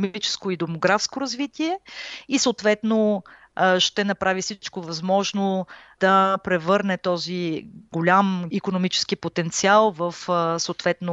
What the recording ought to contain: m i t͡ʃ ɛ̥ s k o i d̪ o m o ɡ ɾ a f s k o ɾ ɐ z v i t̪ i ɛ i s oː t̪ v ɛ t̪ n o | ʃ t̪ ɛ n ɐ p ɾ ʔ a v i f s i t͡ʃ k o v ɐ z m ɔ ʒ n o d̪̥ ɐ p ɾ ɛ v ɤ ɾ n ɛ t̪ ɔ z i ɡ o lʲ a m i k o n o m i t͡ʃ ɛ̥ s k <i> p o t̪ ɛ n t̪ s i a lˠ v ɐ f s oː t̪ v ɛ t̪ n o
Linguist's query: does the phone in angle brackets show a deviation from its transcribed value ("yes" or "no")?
no